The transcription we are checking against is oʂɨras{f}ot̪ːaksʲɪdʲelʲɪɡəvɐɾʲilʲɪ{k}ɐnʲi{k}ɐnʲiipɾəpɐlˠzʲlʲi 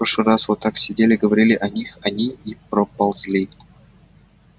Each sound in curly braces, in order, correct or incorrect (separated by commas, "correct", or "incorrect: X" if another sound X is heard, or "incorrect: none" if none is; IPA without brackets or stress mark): incorrect: v, incorrect: ʔ, incorrect: x